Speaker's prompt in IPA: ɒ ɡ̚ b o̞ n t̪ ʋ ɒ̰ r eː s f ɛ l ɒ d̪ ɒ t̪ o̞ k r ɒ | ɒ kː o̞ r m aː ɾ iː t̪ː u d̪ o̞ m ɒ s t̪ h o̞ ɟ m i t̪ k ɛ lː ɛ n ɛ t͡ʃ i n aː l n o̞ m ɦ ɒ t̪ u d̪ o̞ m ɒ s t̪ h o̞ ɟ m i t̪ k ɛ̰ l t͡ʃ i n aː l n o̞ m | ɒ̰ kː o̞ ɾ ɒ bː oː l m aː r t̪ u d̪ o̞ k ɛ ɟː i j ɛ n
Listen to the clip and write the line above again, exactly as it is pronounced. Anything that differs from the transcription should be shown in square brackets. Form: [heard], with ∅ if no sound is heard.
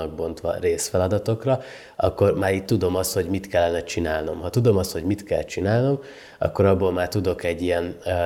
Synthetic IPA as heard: ɒ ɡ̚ b o̞ n t̪ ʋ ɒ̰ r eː s f ɛ l ɒ d̪ ɒ t̪ o̞ k r ɒ | ɒ kː o̞ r m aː ɾ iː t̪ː u d̪ o̞ m ɒ s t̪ h o̞ ɟ m i t̪ k ɛ lː ɛ n ɛ t͡ʃ i n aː l n o̞ m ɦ ɒ t̪ u d̪ o̞ m ɒ s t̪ h o̞ ɟ m i t̪ k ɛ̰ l t͡ʃ i n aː l n o̞ m | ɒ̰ kː o̞ ɾ ɒ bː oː l m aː r t̪ u d̪ o̞ k ɛ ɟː i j ɛ n